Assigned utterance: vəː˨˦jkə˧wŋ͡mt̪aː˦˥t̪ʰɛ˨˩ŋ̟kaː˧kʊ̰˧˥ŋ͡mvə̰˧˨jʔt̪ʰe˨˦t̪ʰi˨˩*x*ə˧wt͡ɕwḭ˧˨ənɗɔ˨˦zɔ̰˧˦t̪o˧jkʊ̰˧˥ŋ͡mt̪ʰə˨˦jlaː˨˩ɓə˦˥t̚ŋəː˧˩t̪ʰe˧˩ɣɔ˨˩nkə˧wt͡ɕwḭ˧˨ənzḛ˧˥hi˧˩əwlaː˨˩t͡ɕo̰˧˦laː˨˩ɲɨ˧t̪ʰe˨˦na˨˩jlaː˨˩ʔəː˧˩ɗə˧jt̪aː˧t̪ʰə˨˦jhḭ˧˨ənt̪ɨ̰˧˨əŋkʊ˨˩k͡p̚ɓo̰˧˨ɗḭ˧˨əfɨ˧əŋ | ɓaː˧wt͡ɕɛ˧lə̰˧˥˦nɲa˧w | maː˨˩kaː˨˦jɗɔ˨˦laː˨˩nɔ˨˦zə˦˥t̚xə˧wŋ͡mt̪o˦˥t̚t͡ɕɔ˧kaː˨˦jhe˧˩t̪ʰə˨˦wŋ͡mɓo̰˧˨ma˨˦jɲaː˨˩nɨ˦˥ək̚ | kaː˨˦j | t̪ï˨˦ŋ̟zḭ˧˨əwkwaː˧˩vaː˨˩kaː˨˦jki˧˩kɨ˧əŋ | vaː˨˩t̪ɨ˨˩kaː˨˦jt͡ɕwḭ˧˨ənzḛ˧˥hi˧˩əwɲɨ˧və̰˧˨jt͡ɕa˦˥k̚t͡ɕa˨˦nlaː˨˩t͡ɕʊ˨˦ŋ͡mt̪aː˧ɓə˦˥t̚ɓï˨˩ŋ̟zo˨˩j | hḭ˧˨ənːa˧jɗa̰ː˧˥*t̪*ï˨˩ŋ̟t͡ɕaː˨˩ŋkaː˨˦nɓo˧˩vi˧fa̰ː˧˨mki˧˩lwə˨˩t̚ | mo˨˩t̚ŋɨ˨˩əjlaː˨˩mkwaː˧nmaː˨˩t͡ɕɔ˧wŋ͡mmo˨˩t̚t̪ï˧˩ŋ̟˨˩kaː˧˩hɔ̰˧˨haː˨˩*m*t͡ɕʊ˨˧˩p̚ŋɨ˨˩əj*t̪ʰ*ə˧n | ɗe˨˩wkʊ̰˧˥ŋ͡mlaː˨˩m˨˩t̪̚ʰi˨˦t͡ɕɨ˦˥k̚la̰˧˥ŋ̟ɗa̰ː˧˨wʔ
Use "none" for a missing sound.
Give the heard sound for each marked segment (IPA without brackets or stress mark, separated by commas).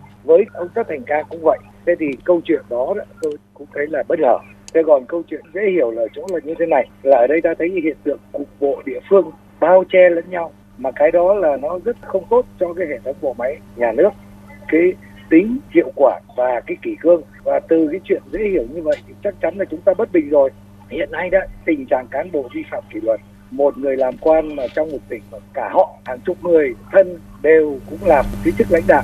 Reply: k, t̪, ŋ, t̪ʰ